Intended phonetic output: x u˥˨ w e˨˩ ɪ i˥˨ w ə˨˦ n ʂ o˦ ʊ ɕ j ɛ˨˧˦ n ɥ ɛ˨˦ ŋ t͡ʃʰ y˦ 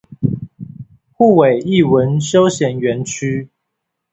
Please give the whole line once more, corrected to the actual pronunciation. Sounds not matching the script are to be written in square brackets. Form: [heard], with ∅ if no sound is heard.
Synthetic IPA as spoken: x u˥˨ w e˨˩ ɪ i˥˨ w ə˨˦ n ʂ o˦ ʊ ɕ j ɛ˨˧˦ n ɥ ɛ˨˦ [n] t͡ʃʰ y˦